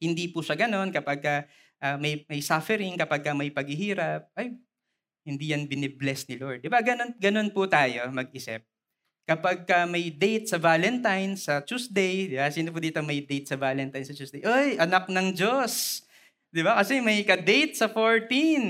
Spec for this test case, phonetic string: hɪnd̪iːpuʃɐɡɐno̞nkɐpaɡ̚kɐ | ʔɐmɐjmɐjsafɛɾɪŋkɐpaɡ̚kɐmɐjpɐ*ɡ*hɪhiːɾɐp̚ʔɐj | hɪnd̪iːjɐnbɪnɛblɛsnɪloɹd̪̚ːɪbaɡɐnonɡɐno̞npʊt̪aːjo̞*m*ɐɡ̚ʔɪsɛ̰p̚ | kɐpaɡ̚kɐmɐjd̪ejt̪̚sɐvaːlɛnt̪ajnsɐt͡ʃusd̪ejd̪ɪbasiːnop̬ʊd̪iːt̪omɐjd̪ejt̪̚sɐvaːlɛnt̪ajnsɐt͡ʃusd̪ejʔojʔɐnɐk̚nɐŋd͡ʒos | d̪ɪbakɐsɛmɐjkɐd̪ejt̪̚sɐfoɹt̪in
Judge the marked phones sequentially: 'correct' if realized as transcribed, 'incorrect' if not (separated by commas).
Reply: correct, correct